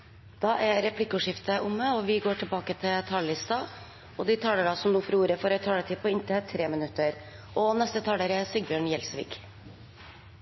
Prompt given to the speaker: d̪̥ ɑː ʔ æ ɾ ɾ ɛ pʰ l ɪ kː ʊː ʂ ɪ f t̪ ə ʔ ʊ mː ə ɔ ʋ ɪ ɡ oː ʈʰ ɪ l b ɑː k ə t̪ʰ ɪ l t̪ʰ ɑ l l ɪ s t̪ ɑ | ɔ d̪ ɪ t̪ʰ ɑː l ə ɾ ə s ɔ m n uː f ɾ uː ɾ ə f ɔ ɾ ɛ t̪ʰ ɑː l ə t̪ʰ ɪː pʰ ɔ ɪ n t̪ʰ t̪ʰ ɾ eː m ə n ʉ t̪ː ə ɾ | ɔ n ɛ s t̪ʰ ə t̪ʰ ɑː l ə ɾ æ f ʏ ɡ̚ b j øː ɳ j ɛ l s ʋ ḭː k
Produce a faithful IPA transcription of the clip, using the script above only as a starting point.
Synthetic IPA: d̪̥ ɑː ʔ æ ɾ ɾ ɛ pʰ l ɪ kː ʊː ʂ ɪ f t̪ ə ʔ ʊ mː ə ɔ ʋ ɪ ɡ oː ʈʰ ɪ l b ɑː k ə t̪ʰ ɪ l t̪ʰ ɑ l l ɪ s t̪ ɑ | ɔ d̪ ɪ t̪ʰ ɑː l ə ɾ ɑ s ɔ m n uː f ɾ uː ɾ ə f ɔ ɾ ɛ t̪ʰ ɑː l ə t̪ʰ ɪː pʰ ɔ ɪ n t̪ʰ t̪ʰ ɾ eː m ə n ʉ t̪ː ə ɾ | ɔ n ɛ s t̪ ə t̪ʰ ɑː l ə ɾ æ s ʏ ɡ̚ b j øː ɳ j ɛ l s ʋ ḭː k